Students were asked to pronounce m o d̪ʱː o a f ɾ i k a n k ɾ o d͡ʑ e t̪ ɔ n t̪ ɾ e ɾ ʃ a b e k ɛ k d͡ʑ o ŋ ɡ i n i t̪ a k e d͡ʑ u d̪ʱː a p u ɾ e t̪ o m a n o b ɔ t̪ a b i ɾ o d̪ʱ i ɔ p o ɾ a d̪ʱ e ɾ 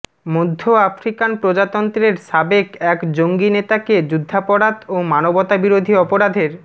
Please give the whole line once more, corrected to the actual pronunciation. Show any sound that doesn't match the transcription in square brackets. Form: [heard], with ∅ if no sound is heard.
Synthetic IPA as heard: m o d̪ʱː o a f ɾ i k a n [p] ɾ o d͡ʑ [a] t̪ ɔ n t̪ ɾ e ɾ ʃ a b e k ɛ k d͡ʑ o ŋ ɡ i n [e] t̪ a k e d͡ʑ u d̪ʱː a p [ɔ] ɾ [a] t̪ o m a n o b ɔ t̪ a b i ɾ o d̪ʱ i ɔ p o ɾ a d̪ʱ e ɾ